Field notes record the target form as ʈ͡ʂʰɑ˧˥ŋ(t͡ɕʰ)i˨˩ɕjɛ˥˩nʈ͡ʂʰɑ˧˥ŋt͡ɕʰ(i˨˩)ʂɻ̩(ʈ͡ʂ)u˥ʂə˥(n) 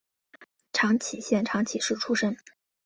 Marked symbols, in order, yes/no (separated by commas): yes, yes, no, no